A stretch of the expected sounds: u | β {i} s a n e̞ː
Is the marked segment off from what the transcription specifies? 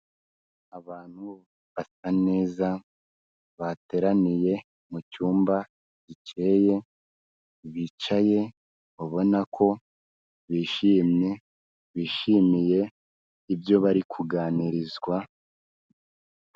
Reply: yes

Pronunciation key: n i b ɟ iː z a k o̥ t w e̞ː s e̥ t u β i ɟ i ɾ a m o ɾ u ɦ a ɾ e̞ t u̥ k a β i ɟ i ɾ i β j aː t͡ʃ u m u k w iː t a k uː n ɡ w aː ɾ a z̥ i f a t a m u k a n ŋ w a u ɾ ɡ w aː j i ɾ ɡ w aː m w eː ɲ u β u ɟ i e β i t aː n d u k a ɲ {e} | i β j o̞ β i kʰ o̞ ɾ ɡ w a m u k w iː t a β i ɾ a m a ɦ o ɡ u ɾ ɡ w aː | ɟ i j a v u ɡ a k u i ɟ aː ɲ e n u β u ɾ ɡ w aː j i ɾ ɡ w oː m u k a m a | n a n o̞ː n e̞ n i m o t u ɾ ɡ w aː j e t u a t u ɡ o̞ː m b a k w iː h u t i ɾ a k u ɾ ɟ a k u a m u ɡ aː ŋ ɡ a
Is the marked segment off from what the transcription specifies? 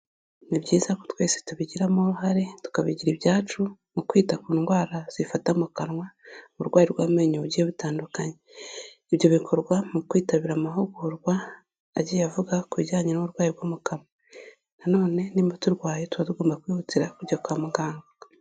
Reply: no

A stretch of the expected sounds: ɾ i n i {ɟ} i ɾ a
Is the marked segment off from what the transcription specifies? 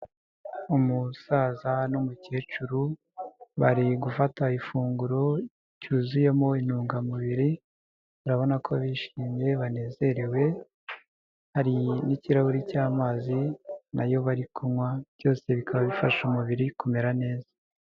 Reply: yes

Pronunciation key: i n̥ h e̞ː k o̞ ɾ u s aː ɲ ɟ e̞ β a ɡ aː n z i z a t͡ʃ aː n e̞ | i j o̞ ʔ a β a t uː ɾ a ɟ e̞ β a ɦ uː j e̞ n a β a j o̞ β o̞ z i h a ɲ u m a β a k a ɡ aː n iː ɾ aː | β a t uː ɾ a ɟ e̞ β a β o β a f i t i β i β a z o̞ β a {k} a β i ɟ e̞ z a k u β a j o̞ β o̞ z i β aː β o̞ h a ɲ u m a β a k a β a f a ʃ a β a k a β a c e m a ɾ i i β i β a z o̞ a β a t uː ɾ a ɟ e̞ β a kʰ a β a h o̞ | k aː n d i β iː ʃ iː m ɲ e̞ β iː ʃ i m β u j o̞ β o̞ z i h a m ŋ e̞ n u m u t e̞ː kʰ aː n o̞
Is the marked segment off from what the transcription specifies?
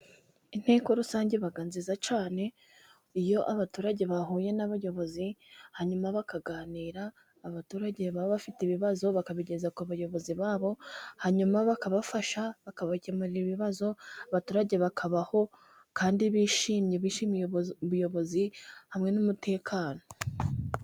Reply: no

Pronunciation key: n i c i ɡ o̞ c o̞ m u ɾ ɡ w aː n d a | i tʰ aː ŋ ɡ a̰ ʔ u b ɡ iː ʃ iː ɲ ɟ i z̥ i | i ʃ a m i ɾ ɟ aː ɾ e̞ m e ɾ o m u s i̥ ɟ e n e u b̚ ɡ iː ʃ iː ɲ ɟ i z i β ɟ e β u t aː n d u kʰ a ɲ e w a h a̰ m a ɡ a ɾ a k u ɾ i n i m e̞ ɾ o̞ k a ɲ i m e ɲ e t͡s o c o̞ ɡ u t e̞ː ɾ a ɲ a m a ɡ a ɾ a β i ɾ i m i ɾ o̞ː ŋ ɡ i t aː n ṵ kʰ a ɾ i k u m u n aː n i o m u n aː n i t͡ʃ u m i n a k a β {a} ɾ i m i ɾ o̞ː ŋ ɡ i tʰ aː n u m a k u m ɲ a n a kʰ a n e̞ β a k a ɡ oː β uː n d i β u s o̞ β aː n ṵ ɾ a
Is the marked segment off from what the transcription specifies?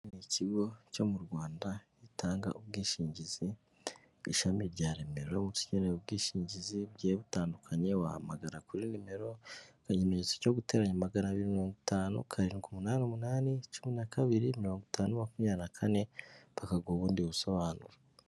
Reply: yes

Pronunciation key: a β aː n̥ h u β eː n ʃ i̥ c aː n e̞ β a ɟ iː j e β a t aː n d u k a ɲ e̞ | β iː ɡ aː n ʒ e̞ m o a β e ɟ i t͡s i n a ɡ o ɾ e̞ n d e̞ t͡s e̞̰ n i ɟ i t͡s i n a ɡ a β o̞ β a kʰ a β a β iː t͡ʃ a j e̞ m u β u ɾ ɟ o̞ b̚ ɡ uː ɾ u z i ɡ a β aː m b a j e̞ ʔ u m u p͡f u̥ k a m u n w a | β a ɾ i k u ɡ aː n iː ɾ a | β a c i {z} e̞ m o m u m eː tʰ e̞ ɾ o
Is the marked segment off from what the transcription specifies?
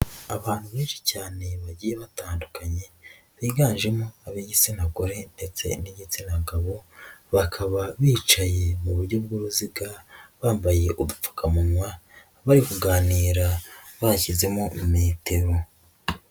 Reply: no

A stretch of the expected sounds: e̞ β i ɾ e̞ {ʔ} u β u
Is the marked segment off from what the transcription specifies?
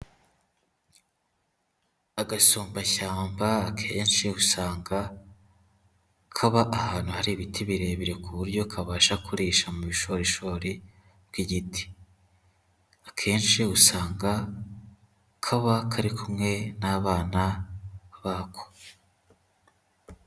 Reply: yes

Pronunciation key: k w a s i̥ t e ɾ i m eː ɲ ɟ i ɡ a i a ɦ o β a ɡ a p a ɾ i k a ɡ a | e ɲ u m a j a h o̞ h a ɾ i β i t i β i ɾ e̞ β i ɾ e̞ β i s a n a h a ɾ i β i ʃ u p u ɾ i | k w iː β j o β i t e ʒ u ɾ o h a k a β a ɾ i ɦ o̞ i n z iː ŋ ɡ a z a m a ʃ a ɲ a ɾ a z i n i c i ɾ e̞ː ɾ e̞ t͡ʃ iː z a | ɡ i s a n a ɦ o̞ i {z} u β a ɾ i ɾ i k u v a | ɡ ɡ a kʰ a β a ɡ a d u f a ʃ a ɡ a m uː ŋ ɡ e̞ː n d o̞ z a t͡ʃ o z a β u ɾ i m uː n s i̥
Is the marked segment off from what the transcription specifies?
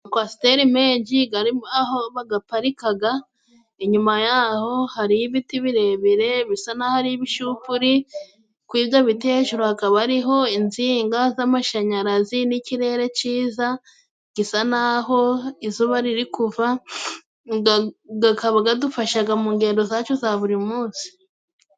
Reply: no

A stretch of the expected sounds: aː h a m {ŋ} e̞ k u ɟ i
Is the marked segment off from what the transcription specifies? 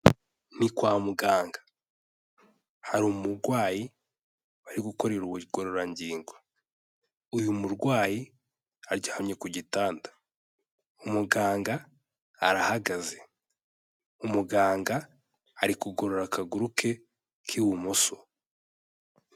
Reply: yes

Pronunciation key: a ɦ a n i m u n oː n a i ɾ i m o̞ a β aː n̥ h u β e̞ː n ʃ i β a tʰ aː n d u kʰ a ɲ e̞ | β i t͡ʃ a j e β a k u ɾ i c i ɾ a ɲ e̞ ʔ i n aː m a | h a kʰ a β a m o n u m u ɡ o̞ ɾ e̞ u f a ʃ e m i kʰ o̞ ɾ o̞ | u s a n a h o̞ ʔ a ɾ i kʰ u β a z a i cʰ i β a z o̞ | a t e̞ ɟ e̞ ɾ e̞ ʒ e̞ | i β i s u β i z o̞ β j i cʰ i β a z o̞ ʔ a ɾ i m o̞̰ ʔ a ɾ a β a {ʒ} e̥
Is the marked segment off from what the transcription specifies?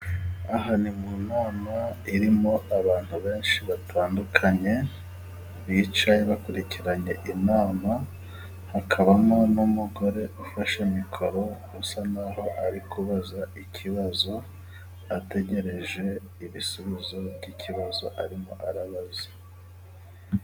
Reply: yes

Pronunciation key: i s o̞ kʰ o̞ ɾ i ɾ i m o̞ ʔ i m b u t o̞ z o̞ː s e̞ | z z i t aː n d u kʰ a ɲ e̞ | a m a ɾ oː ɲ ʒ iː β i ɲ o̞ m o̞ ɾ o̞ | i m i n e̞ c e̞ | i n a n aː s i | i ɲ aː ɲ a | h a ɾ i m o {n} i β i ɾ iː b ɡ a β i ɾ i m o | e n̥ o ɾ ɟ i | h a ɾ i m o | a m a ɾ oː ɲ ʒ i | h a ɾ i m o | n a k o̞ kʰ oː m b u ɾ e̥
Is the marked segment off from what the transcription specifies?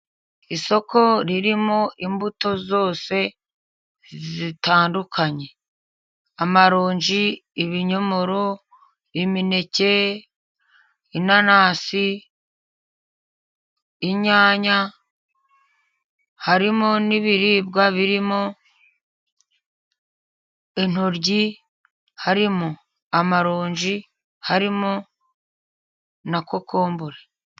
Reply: no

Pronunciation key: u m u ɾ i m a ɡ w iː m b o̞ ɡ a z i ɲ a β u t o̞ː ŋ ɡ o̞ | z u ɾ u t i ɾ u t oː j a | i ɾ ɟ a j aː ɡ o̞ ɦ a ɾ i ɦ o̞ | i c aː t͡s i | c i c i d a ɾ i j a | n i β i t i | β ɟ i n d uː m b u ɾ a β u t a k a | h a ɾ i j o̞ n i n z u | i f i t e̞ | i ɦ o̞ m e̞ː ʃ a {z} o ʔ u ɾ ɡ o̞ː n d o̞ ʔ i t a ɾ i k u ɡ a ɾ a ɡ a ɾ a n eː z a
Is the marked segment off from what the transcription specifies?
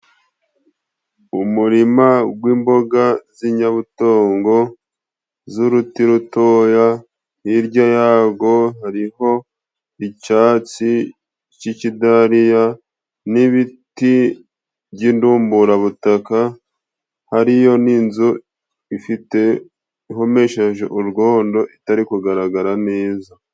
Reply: yes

